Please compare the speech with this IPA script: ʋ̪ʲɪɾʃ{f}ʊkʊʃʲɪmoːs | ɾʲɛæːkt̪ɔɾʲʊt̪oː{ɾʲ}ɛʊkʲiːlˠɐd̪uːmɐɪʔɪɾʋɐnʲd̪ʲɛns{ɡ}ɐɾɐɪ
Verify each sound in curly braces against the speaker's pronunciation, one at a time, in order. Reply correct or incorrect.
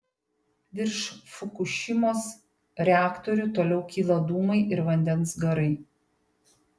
correct, incorrect, correct

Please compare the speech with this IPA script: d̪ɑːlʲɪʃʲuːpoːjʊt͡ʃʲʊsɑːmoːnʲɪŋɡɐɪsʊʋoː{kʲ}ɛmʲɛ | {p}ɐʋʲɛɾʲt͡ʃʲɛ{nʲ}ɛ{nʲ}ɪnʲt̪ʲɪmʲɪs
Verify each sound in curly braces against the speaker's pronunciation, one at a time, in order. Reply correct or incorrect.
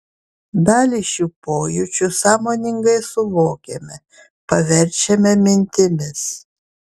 correct, correct, incorrect, incorrect

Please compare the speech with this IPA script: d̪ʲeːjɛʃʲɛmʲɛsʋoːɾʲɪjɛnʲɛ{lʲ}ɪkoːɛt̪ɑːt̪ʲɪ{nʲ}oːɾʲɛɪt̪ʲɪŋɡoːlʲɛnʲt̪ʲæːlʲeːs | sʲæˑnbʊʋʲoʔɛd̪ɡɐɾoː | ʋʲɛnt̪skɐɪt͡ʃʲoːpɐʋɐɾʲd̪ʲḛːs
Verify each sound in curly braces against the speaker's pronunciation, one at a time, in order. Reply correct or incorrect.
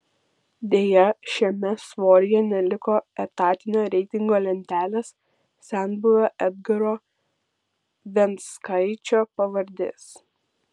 correct, correct

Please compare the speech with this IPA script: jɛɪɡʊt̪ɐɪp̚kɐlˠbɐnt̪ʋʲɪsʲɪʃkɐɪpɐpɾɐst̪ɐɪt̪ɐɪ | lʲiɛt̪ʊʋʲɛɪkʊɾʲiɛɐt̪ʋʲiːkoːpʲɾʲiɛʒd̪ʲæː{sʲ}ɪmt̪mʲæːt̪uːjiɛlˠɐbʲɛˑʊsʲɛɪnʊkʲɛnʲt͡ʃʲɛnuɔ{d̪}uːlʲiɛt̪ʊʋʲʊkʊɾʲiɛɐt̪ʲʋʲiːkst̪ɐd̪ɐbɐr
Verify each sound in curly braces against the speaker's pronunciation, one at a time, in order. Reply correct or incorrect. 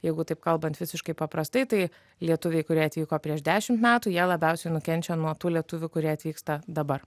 incorrect, incorrect

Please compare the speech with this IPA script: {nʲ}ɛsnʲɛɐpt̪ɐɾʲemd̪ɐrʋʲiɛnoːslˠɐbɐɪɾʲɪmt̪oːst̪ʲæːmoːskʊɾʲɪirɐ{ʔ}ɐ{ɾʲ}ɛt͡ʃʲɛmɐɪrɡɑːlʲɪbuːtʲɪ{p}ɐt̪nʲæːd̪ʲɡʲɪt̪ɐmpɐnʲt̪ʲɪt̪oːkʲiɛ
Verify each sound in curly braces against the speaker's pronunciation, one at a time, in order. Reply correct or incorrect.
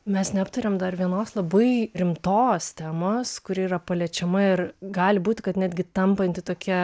incorrect, incorrect, incorrect, incorrect

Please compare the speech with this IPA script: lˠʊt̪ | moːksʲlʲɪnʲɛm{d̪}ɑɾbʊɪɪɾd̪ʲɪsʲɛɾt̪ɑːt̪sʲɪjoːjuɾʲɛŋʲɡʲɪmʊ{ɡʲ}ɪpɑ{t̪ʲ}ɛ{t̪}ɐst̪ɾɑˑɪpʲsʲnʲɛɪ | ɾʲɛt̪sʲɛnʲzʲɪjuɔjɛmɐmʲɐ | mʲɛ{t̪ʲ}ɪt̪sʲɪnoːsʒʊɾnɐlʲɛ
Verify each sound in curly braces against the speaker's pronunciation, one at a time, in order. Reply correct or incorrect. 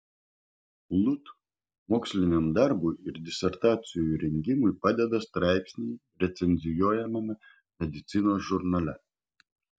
correct, incorrect, incorrect, incorrect, incorrect

